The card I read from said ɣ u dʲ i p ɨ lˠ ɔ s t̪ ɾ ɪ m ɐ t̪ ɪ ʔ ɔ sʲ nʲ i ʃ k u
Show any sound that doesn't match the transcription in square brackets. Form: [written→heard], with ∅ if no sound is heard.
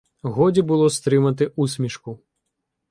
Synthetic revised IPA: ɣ [u→ɔ] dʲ i [p→b] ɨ lˠ ɔ s t̪ ɾ ɪ m ɐ t̪ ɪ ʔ [ɔ→u] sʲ [nʲ→mʲ] i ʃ k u